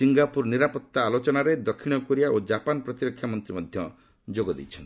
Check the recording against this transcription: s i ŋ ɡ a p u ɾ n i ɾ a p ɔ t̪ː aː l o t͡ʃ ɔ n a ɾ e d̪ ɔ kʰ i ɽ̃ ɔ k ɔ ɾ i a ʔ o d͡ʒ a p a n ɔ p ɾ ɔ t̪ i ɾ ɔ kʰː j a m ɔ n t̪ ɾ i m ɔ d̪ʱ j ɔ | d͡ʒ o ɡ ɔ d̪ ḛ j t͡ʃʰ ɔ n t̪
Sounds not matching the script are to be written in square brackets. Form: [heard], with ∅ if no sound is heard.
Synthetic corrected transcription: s i ŋ ɡ a p u ɾ n i ɾ a p ɔ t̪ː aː l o t͡ʃ ɔ n a ɾ e d̪ ɔ kʰ i ɽ̃ ɔ k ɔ ɾ i a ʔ o d͡ʒ a p a n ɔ p ɾ ɔ t̪ i ɾ ɔ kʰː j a m ɔ n t̪ ɾ i m ɔ d̪ʱ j ɔ | d͡ʒ o ɡ ɔ d̪ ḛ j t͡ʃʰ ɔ n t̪